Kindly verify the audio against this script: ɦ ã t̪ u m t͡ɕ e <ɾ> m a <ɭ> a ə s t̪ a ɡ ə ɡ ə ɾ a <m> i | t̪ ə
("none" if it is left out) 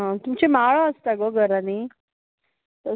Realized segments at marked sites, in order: none, ɭ, n

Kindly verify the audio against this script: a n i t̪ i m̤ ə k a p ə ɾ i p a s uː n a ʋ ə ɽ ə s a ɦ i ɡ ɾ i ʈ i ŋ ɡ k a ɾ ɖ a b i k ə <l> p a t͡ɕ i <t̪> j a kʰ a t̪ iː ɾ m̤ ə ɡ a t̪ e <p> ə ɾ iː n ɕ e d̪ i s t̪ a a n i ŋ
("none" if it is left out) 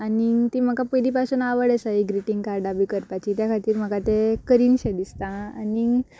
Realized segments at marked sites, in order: ɾ, t̪, k

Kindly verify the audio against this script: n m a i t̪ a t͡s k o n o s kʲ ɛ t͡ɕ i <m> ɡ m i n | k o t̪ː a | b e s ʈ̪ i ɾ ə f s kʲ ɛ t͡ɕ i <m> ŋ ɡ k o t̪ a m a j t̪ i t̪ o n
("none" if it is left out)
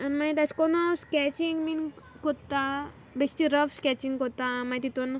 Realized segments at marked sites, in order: ŋ, none

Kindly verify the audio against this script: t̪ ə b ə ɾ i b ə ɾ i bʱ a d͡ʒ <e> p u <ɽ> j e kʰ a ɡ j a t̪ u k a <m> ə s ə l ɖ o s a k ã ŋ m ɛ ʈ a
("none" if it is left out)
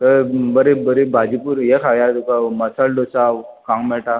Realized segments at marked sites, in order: i, ɾ, m

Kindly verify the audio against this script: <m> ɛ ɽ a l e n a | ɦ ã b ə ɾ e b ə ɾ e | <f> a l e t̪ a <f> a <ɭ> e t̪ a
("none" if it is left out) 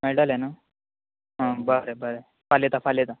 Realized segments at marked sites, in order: m, f, f, l

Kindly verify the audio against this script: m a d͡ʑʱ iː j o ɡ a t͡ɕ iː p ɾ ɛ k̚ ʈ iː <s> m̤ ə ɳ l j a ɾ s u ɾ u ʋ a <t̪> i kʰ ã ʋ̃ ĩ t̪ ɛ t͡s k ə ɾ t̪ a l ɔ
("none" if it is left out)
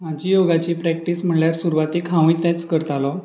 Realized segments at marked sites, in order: s, t̪

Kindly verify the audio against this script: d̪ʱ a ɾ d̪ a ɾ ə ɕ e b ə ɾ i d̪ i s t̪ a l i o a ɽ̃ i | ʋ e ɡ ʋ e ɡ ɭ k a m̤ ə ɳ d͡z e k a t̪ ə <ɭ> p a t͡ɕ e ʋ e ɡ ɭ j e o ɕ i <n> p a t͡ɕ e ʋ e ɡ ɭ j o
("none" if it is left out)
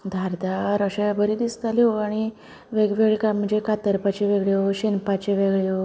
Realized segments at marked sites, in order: ɾ, n

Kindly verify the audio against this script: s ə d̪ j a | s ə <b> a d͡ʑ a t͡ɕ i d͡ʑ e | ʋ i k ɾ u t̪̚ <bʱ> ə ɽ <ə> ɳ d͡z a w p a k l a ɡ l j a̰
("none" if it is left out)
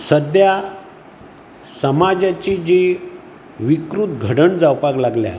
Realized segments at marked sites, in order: m, ɡʱ, ə

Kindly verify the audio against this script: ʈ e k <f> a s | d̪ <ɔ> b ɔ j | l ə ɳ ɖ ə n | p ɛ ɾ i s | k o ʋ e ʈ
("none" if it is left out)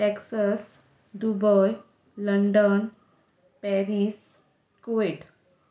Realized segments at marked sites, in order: s, u

